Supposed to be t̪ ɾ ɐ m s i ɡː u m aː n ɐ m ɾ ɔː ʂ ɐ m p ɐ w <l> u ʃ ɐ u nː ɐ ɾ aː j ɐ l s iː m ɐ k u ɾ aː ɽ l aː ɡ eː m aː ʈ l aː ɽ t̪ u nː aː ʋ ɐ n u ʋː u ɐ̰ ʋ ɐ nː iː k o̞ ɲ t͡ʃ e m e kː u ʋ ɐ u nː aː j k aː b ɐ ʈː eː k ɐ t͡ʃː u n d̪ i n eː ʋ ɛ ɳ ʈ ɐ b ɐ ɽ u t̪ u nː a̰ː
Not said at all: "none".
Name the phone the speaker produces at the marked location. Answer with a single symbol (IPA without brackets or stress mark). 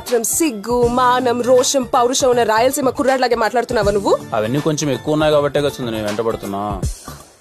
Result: ɾ